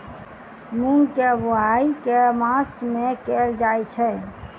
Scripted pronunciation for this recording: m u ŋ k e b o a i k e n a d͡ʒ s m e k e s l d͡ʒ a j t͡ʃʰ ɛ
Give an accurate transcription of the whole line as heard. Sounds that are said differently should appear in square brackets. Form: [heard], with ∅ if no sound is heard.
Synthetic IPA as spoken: m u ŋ k e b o a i k e [m] a [∅] s m e k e [∅] l d͡ʒ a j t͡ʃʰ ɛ